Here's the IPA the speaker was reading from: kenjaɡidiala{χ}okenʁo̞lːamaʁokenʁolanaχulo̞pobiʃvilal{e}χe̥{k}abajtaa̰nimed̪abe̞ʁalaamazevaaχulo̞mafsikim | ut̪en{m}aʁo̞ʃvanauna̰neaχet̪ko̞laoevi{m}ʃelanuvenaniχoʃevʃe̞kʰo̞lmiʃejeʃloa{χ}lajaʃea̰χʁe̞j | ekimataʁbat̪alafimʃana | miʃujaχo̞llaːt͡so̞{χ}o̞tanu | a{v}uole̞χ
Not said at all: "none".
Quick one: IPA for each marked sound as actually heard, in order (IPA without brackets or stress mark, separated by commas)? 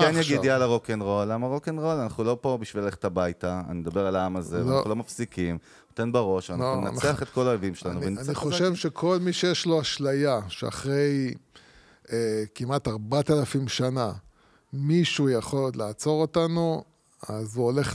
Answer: ʁ, e, t, b, m, ʃ, ʁ, z